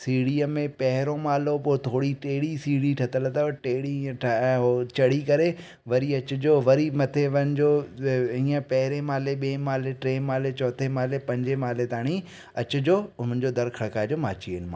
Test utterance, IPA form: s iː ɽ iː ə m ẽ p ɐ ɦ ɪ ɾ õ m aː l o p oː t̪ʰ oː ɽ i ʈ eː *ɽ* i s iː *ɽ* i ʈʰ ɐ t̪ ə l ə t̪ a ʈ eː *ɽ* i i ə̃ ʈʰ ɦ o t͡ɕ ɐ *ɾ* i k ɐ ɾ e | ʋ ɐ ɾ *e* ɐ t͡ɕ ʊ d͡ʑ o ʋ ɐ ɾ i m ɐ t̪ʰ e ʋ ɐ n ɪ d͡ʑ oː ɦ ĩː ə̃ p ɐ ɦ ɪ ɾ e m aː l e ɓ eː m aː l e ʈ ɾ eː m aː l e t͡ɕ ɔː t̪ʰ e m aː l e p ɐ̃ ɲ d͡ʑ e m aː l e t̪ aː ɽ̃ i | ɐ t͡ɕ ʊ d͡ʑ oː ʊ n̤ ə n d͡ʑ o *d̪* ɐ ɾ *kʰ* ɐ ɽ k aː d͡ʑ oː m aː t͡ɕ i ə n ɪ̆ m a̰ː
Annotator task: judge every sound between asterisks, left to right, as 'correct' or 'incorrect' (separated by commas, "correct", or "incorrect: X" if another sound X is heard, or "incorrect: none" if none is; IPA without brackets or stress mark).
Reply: correct, correct, correct, incorrect: ɽ, incorrect: i, correct, correct